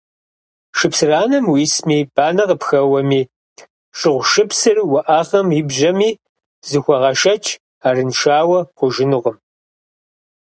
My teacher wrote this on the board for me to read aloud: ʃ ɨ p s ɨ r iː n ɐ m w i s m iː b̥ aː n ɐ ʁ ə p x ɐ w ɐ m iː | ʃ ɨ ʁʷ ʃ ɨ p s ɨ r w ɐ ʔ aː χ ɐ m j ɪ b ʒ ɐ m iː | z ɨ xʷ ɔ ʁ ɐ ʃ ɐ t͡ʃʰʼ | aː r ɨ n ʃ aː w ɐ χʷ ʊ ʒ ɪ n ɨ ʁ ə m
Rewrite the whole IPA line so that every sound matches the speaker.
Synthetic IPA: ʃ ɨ p s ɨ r aː n ɐ m w i s m iː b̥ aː n ɐ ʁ ə p x ɐ w ɐ m iː | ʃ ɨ ʁʷ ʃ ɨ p s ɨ r w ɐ ʔ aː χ ɐ m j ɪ b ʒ ɐ m iː | z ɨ xʷ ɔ ʁ ɐ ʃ ɐ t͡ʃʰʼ | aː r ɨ n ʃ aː w ɐ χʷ ʊ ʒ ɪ n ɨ ʁ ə m